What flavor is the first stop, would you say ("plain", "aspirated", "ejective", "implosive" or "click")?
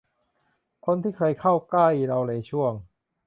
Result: aspirated